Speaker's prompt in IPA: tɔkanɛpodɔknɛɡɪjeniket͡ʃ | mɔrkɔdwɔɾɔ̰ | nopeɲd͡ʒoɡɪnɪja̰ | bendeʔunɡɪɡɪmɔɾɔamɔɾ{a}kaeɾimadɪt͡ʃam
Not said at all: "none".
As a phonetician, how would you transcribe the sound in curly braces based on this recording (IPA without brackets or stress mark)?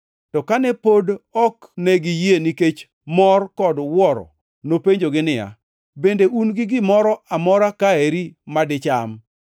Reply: a